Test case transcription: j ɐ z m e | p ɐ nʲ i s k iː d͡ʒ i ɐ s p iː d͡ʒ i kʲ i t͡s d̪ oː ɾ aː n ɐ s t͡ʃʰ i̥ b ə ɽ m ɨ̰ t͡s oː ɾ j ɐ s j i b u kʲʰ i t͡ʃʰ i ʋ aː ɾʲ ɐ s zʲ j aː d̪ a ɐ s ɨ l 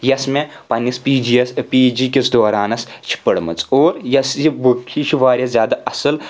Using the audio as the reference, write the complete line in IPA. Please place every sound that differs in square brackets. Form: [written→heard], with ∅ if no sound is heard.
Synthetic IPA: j ɐ [z→s] m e | p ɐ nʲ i s [k→p] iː d͡ʒ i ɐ s p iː d͡ʒ i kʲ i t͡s d̪ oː ɾ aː n ɐ s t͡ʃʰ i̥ [b→p] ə ɽ m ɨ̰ t͡s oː ɾ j ɐ s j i b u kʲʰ i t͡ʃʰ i ʋ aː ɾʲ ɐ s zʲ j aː d̪ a ɐ s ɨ l